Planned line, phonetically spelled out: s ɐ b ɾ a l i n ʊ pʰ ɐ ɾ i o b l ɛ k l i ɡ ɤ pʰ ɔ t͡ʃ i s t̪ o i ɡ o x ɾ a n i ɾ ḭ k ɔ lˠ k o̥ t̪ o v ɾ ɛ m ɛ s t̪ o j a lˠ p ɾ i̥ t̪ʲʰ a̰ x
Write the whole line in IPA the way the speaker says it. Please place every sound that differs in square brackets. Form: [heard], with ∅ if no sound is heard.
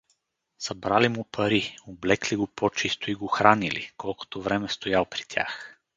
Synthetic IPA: s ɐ b ɾ a l i [m] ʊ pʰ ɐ ɾ i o b l ɛ k l i ɡ [o] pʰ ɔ t͡ʃ i s t̪ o i ɡ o x ɾ a n i [l] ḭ k ɔ lˠ k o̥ t̪ o v ɾ ɛ m ɛ s t̪ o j a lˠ p ɾ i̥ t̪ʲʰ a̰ x